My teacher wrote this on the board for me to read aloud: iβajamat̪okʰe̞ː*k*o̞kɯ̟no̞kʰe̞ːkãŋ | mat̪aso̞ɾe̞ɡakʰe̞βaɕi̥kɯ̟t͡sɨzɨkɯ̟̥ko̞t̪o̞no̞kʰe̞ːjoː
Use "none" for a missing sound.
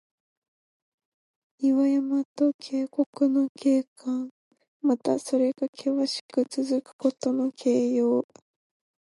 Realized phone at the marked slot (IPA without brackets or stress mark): k